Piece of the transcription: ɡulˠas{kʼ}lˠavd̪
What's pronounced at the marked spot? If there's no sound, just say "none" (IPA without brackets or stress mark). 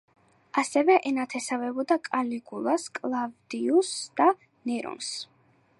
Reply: kʼ